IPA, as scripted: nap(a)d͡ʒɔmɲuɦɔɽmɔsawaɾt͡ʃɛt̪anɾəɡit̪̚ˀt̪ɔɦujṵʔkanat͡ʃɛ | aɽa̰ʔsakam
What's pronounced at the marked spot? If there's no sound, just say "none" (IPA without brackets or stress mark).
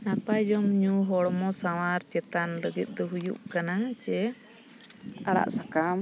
a